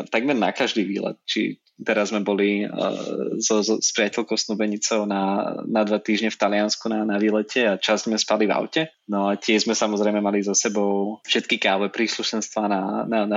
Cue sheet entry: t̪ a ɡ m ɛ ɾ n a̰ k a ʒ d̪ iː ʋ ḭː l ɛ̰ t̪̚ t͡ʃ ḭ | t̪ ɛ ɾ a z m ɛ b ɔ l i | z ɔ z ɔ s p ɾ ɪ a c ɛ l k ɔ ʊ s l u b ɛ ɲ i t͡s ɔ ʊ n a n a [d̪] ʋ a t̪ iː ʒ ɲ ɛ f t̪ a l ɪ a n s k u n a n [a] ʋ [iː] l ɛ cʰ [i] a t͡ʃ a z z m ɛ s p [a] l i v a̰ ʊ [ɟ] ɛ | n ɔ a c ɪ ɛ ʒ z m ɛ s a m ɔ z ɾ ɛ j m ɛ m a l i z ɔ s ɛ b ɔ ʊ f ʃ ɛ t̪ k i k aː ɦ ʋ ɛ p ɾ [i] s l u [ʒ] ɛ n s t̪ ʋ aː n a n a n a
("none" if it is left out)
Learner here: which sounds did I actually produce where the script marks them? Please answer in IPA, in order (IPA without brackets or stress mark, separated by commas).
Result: d̪, a, iː, ɛ, a, c, iː, ʃ